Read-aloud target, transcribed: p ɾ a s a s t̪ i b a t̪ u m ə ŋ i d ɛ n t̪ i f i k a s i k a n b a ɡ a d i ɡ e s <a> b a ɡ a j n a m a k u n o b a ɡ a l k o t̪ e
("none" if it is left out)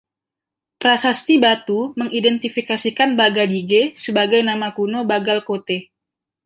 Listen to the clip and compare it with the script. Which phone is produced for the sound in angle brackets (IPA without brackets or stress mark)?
ə